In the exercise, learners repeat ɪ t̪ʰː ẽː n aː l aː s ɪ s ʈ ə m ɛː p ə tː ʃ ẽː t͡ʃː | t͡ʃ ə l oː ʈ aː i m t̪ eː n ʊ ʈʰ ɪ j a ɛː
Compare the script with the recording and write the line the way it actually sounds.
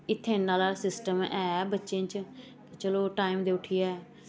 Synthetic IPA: ɪ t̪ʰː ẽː n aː l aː s ɪ s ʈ ə m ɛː b ə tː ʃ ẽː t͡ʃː | t͡ʃ ə l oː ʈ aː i m d̪ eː ʊ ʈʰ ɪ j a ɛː